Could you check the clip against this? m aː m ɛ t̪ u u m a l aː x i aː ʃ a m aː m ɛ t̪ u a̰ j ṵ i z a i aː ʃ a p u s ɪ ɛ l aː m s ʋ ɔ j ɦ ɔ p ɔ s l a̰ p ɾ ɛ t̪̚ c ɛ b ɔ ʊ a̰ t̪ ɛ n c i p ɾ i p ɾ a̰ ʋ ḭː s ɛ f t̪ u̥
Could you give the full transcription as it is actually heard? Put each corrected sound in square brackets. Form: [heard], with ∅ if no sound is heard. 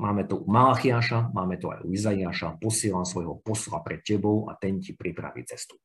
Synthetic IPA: m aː m ɛ t̪ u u m a l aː x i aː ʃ a m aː m ɛ t̪ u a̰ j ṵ i z a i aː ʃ a p [ɔ] s ɪ ɛ l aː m s ʋ ɔ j ɦ ɔ p ɔ s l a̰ p ɾ ɛ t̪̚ c ɛ b ɔ ʊ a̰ t̪ ɛ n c i p ɾ i p ɾ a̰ ʋ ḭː [t͡s] ɛ [s] t̪ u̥